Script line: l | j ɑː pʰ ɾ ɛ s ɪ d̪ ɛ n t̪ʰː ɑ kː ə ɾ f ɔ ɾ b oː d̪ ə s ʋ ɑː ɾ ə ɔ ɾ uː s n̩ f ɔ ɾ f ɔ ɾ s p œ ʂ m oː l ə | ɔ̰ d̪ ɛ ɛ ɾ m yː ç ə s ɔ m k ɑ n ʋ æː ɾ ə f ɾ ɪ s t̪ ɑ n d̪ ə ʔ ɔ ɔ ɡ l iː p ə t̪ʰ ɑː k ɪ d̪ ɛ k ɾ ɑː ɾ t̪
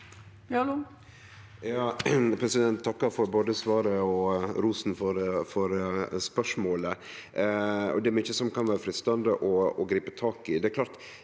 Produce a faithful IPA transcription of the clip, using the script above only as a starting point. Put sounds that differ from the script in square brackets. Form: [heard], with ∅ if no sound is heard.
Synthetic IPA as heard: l | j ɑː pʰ ɾ ɛ s ɪ d̪ ɛ n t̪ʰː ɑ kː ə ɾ f ɔ ɾ b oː d̪ ə s ʋ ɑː ɾ ə ɔ ɾ uː s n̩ f ɔ ɾ f ɔ ɾ s p œ ʂ m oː l ə | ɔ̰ d̪ ɛ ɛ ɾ m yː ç ə s ɔ m k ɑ n ʋ æː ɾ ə f ɾ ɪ s t̪ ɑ n d̪ ə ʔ ɔ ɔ ɡ [ɾ] iː p ə t̪ʰ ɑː k ɪ d̪ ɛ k [l] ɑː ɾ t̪